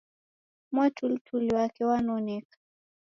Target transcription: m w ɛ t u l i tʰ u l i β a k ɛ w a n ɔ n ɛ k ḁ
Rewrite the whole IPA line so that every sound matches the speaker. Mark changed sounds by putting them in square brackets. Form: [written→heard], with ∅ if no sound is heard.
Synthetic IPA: m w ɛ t u l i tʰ u l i [β→w] a k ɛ w a n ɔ n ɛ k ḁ